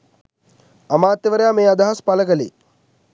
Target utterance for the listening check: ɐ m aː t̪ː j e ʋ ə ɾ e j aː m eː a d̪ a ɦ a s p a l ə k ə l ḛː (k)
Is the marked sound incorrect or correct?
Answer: incorrect